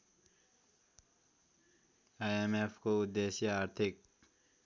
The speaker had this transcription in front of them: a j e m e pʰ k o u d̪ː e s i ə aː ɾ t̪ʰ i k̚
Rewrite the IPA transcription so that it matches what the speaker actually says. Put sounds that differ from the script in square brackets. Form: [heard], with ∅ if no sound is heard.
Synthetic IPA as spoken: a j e m e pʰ k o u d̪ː e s [j] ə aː ɾ t̪ʰ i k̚